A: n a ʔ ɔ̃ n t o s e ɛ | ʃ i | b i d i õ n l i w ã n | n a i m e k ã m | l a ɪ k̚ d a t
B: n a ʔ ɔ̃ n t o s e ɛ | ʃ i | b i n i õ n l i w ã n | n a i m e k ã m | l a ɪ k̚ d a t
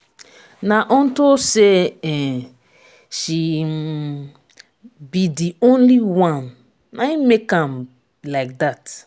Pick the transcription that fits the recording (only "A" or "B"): A